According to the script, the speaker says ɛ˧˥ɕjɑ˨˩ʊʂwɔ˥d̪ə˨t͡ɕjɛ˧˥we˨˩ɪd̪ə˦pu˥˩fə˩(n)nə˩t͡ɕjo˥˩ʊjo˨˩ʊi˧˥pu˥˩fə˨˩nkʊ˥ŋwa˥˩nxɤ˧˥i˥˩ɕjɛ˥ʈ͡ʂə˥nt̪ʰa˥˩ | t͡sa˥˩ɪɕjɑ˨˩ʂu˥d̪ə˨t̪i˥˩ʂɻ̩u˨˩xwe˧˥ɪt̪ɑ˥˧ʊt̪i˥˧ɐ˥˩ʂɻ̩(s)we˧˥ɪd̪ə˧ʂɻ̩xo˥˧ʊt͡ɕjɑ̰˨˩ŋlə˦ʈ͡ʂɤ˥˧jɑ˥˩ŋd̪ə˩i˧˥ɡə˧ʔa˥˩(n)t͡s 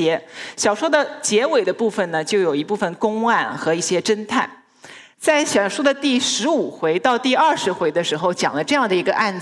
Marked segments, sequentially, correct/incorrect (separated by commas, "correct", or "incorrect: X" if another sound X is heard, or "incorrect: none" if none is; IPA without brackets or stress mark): correct, incorrect: x, correct